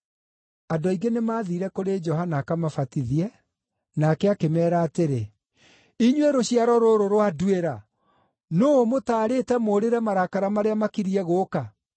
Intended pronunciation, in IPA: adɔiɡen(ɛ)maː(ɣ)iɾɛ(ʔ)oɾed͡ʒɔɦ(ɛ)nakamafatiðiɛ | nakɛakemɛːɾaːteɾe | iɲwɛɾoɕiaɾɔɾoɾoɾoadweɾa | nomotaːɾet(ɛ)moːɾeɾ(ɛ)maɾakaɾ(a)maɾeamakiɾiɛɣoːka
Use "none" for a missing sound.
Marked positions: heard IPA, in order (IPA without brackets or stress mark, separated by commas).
e, ð, k, a, ɛ, ɛ, a